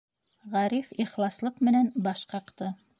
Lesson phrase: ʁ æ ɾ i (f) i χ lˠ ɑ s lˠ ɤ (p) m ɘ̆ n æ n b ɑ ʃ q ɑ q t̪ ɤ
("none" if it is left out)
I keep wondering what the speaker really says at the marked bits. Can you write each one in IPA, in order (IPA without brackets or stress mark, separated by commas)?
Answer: f, q